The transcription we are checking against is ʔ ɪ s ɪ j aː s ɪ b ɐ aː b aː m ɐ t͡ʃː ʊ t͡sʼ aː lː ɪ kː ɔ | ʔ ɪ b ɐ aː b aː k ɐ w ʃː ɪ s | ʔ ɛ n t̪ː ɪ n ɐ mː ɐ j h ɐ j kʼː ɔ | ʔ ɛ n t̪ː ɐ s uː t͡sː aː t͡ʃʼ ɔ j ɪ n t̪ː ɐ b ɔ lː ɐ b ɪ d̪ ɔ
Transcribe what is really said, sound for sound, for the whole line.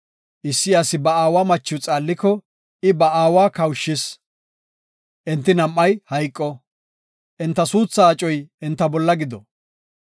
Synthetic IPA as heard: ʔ ɪ sː ɪ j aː s ɪ b ɐ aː w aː m ɐ t͡ʃː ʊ t͡sʼ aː lː ɪ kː ɔ | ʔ ɪ b ɐ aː w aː k ɐ w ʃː ɪ s | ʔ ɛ n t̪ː ɪ n ɐ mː ɐ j h ɐ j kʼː ɔ | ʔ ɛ n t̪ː ɐ s uː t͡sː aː t͡ʃʼ ɔ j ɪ n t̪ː ɐ b ɔ lː ɐ ɡ ɪ d̪ ɔ